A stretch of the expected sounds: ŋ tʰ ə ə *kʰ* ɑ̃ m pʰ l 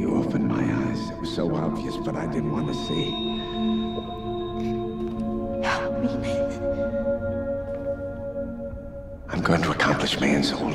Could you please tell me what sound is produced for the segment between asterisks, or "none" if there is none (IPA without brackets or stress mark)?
kʰ